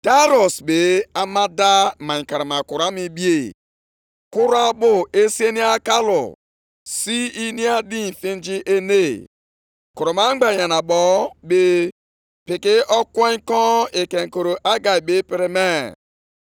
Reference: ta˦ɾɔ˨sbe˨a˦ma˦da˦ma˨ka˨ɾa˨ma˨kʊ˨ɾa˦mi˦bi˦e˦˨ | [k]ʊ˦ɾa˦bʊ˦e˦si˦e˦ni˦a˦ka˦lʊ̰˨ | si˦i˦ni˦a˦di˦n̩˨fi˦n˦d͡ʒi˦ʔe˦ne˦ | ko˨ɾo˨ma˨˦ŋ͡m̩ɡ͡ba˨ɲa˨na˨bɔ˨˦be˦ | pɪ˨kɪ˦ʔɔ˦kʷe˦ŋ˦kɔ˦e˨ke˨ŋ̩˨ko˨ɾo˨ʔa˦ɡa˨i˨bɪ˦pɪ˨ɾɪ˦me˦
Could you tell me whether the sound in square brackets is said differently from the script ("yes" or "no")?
no